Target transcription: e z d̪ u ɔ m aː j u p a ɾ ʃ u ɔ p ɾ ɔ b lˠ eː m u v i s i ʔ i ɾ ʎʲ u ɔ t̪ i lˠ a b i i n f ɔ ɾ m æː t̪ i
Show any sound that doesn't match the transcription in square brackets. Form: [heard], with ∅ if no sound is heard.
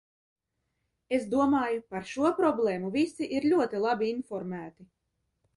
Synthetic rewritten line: e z d̪ u ɔ m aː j u p a ɾ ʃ u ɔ p ɾ ɔ b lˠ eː m u v i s i ʔ i ɾ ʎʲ u ɔ t̪ i lˠ a b i i n f ɔ ɾ m æː t̪ i